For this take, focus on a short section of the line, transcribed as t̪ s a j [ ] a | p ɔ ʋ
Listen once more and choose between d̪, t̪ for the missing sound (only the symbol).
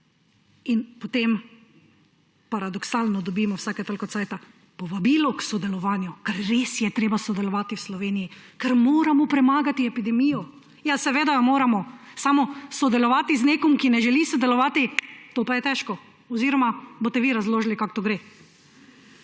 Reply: t̪